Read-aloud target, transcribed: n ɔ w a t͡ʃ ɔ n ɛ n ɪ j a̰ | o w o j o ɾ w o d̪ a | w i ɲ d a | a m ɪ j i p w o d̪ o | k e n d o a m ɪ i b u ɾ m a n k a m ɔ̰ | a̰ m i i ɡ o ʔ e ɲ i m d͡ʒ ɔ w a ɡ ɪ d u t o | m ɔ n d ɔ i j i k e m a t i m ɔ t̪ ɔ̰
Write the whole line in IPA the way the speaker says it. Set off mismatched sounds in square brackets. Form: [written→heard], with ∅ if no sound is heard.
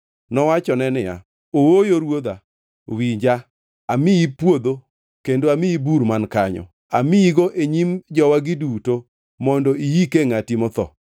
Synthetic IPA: n ɔ w a t͡ʃ ɔ n ɛ n ɪ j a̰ | o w o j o ɾ w o d̪ a | w i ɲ [d→d͡ʒ] a | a m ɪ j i p w o d̪ o | k e n d o a m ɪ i b u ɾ m a n k a [m→ɲ] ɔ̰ | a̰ m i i ɡ o ʔ e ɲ i m d͡ʒ ɔ w a ɡ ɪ d u t o | m ɔ n d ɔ i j i k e [m→ŋ] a t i m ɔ t̪ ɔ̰